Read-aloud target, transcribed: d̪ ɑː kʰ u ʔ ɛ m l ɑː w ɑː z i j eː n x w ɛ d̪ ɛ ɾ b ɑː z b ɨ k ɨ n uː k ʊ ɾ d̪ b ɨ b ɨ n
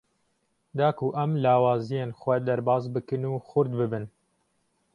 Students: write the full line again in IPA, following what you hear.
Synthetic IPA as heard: d̪ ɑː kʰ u ʔ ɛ m l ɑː w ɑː z i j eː n x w ɛ d̪ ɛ ɾ b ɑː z b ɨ k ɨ n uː x ʊ ɾ d̪ b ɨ b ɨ n